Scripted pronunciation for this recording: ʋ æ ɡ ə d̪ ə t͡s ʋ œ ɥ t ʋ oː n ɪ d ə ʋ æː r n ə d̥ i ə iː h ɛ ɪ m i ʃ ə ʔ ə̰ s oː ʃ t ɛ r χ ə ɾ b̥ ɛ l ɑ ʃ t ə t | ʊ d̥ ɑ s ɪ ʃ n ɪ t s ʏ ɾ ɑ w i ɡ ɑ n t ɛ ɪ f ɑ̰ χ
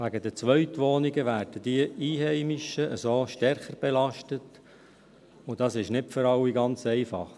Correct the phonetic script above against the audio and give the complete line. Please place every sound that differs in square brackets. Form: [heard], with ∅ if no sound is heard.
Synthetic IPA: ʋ æ ɡ ə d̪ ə t͡s ʋ œ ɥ t ʋ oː n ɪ [ɡ] ə ʋ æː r [d] ə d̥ i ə iː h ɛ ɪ m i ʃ ə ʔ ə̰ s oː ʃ t ɛ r χ ə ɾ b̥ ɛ l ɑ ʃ t ə t | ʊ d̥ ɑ s ɪ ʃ n ɪ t [f] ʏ ɾ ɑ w i ɡ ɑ n [t͡s] ɛ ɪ f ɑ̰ χ